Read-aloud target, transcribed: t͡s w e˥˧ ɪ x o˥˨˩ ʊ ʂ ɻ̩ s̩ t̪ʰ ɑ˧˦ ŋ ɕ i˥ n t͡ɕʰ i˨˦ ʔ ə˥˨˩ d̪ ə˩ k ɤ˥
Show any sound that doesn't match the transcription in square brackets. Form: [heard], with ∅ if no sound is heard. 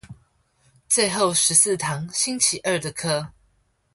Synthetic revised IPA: t͡s w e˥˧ ɪ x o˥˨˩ ʊ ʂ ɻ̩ s̩ t̪ʰ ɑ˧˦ ŋ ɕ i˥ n t͡ɕʰ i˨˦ ʔ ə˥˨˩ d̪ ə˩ [kʰ] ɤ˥

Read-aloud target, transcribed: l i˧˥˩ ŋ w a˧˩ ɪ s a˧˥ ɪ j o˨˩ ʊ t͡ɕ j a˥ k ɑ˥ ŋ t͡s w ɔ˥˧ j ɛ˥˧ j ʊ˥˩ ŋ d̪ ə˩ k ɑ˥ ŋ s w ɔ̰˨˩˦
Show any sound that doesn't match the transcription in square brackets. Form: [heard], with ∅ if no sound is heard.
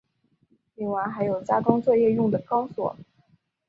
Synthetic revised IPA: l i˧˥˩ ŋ w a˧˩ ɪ [x] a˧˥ ɪ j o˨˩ ʊ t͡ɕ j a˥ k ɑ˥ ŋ t͡s w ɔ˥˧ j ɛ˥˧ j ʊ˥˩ ŋ d̪ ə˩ k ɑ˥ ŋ s w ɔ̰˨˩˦

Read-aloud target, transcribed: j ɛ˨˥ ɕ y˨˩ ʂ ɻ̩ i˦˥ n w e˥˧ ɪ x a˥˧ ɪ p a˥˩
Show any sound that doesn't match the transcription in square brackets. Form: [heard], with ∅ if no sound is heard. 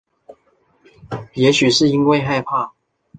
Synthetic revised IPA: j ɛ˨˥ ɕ y˨˩ ʂ ɻ̩ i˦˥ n w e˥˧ ɪ x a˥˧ ɪ [pʰ] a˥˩

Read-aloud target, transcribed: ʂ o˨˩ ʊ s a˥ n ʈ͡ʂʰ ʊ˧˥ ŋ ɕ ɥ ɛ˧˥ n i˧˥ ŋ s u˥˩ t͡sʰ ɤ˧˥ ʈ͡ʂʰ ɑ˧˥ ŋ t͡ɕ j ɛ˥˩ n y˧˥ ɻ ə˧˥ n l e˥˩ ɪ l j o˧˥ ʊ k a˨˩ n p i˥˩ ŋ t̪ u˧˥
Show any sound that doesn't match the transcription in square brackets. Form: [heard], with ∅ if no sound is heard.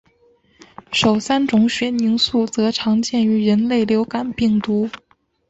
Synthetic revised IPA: ʂ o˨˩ ʊ s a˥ n [ʈ͡ʂ] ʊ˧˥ ŋ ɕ ɥ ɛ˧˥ n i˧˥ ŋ s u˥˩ [t͡s] ɤ˧˥ ʈ͡ʂʰ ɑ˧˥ ŋ t͡ɕ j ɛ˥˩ n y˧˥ ɻ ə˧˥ n l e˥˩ ɪ l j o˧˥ ʊ k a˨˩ n p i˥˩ ŋ t̪ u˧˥

